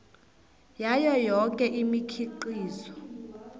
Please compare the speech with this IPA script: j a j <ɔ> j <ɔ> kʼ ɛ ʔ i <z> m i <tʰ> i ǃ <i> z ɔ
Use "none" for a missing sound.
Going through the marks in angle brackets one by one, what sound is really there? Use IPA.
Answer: ɔ, ɔ, none, kʰ, iː

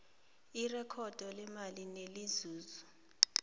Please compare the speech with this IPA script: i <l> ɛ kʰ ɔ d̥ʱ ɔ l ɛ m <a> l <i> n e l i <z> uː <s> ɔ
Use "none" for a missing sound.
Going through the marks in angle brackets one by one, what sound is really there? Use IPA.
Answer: r, a, i, z, z

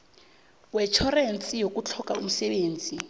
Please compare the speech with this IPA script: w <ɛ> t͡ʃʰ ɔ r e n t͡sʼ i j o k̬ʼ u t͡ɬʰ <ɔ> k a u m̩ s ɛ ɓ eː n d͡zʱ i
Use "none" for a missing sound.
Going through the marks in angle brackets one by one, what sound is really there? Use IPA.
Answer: ɛ, ɔ

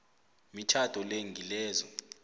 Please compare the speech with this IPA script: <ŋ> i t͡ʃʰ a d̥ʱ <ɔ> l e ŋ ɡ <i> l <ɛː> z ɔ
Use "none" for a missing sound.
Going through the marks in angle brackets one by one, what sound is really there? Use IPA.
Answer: m, ɔ, i, ɛː

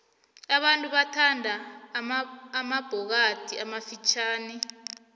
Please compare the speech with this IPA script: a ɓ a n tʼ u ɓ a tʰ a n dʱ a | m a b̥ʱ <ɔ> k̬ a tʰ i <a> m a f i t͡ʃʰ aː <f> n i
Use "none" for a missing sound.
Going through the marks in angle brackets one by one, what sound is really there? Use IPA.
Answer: ɔ, a, none

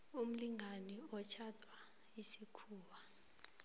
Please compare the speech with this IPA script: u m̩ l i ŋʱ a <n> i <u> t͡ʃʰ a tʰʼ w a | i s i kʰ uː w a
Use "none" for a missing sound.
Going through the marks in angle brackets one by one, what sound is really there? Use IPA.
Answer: n, ɔ

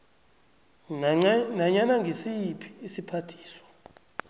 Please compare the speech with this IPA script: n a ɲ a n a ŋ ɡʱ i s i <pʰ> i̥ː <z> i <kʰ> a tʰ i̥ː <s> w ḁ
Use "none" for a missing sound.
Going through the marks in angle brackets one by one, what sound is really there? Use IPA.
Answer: pʰ, s, pʰ, s

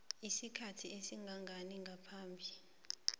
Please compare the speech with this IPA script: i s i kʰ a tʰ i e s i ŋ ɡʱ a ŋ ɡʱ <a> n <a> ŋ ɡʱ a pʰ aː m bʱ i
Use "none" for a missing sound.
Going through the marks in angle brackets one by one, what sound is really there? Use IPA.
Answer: a, i

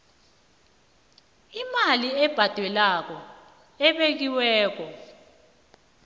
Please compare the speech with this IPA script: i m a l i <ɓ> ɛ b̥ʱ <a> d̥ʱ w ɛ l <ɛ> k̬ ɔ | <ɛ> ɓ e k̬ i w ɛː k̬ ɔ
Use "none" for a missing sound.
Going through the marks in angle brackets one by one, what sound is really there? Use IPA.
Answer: none, a, a, ɛ

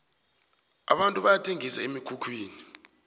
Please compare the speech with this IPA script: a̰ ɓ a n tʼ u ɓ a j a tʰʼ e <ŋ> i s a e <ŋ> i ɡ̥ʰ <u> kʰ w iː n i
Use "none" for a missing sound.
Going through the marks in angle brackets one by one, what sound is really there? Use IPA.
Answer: ŋ, m, u

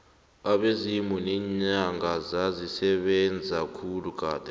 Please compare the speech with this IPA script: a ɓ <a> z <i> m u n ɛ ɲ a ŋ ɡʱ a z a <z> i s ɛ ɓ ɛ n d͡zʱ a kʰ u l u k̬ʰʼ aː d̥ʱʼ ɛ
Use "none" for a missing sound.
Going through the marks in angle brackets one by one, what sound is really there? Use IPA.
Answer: e, i, z

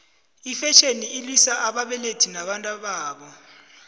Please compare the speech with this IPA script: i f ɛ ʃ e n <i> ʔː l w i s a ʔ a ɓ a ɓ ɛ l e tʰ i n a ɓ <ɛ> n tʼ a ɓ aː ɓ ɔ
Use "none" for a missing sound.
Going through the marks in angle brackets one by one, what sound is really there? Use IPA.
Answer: i, a

